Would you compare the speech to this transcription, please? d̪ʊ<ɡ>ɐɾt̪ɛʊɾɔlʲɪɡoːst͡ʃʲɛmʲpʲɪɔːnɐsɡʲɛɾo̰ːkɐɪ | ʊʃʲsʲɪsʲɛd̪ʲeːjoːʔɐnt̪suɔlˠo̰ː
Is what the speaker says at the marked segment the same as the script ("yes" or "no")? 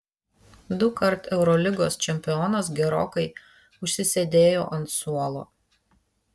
no